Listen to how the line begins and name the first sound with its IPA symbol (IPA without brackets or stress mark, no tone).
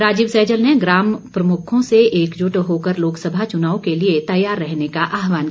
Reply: ɾ